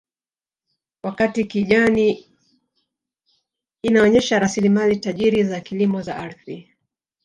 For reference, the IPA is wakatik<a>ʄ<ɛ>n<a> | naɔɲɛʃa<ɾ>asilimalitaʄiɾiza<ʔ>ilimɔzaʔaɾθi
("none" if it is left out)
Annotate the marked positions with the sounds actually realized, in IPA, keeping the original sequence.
i, a, i, ɾ, k

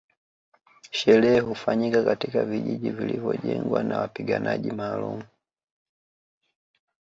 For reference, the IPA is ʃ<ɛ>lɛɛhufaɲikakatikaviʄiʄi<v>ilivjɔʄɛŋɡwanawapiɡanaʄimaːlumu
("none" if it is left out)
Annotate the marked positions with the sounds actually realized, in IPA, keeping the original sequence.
ɛ, v

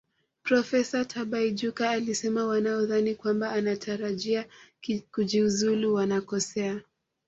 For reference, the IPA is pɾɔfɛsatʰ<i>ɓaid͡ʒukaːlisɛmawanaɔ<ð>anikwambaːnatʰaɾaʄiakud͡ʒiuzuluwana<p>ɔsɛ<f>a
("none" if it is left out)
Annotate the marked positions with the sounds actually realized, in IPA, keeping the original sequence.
a, ð, k, none

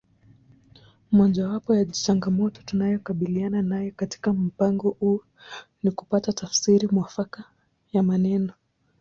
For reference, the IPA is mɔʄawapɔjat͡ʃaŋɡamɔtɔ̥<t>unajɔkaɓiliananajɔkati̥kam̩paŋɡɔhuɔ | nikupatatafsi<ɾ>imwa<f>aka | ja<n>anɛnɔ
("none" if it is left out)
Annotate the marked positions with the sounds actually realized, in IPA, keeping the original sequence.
t, ɾ, f, m

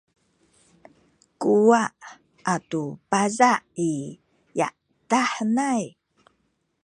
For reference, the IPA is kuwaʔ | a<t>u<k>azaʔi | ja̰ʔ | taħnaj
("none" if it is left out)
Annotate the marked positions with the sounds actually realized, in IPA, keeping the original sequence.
t, p

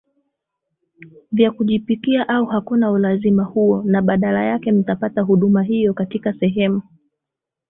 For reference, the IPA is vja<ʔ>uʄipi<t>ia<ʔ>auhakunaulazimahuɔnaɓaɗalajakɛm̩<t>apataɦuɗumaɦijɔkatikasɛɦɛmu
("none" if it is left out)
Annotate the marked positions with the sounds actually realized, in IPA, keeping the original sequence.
k, k, ʔ, t

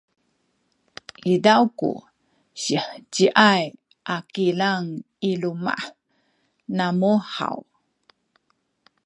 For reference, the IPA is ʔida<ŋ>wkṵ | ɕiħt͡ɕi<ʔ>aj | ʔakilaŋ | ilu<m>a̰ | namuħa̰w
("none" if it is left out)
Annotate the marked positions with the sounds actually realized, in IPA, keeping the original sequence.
none, ʔ, m

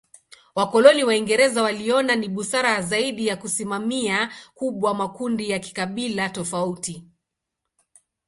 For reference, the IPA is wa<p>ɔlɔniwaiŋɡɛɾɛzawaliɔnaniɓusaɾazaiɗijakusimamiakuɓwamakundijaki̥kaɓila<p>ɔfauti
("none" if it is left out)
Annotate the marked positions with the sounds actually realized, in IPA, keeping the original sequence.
k, t

